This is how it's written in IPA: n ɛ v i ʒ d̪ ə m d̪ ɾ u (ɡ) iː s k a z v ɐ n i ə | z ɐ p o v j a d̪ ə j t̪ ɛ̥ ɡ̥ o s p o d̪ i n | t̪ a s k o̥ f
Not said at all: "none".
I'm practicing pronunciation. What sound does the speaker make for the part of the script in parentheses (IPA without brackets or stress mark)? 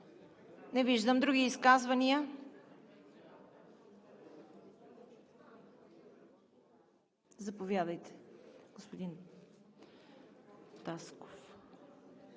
ɡ